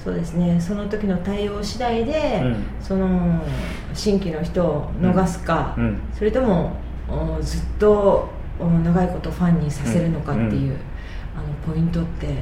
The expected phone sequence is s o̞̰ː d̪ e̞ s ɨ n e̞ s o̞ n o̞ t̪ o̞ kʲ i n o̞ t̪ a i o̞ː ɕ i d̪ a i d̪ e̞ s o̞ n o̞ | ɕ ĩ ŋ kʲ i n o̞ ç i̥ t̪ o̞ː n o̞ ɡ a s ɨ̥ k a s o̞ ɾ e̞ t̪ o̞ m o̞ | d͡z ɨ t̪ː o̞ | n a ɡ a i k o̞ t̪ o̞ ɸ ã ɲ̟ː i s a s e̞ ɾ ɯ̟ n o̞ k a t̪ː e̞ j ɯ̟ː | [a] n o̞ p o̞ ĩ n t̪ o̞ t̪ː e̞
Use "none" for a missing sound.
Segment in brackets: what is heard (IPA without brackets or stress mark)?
a